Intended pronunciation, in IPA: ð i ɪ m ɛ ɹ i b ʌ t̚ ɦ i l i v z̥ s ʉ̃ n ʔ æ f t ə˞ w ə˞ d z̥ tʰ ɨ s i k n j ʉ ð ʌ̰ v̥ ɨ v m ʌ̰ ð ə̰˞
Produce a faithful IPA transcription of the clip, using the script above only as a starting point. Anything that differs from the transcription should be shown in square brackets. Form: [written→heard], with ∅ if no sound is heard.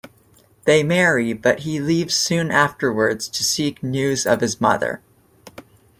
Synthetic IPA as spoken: ð [i→e] ɪ m ɛ ɹ i b ʌ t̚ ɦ i l i v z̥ s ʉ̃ n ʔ æ f t ə˞ w ə˞ d z̥ tʰ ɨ s i k n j ʉ [ð→z] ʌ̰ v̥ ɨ [v→z] m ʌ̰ ð ə̰˞